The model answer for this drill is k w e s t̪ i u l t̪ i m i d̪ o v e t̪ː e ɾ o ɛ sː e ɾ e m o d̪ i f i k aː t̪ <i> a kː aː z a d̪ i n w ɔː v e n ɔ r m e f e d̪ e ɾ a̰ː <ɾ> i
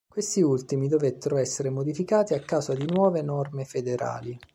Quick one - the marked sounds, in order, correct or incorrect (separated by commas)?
correct, incorrect